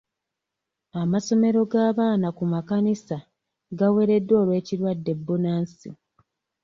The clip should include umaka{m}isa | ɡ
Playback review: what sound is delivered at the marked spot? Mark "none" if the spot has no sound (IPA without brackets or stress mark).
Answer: n